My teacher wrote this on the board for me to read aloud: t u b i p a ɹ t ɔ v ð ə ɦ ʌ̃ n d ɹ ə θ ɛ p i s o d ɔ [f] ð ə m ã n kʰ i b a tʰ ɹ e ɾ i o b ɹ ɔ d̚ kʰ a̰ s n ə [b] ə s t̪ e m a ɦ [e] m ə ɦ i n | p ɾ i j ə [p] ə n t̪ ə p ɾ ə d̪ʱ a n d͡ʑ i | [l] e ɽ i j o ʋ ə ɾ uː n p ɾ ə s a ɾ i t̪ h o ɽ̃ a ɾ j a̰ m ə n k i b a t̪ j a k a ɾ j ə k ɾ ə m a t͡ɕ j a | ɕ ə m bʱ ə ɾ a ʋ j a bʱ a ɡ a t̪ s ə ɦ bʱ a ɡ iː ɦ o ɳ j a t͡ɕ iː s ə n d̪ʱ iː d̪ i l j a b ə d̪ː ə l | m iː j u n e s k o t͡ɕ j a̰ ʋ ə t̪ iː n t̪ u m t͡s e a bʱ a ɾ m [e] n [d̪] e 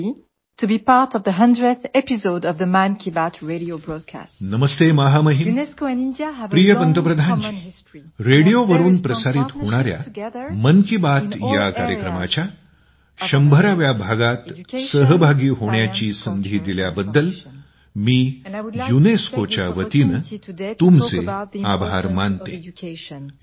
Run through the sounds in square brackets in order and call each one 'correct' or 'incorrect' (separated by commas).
incorrect, incorrect, incorrect, correct, incorrect, incorrect, incorrect